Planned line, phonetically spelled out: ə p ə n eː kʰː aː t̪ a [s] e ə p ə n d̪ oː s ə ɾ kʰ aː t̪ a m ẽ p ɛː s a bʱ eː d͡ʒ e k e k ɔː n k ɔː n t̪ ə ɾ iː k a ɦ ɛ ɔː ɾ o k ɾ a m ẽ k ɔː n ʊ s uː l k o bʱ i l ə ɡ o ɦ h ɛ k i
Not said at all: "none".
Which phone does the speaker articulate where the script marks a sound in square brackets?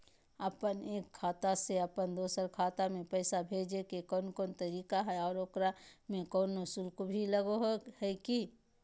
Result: s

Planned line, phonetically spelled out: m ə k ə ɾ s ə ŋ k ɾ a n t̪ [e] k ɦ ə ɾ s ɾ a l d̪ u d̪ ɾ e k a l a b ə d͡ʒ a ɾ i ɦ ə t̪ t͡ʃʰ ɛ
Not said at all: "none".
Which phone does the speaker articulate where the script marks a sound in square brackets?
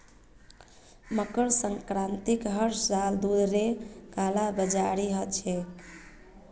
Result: i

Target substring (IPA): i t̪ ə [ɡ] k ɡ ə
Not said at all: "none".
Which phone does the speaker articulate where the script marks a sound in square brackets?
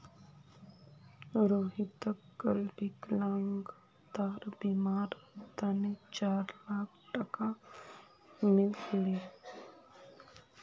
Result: none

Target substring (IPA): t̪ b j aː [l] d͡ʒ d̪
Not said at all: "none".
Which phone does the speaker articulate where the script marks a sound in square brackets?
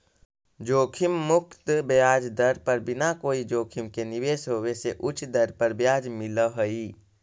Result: none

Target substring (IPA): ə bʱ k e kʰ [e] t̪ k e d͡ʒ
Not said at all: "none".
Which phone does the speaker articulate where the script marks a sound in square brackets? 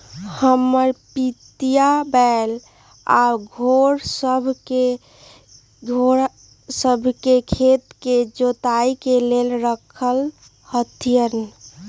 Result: e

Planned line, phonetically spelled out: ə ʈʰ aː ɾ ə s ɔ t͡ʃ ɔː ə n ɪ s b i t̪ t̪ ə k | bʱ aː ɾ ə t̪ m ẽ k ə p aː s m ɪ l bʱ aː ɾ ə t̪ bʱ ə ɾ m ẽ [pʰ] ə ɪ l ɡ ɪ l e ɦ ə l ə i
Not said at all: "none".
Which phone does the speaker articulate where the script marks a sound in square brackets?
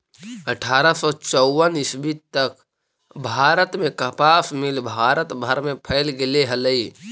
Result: pʰ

